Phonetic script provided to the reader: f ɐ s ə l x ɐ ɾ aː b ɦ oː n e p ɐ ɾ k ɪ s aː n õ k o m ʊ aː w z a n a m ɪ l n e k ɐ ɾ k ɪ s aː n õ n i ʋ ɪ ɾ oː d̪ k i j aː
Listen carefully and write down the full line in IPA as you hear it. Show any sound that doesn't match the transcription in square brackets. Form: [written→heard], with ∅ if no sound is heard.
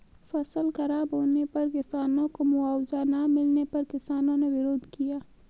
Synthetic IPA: f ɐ s ə l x ɐ ɾ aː b ɦ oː n e p ɐ ɾ k ɪ s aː n õ k o m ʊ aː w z a n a m ɪ l n e [k→p] ɐ ɾ k ɪ s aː n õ n [i→e] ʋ ɪ ɾ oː d̪ k i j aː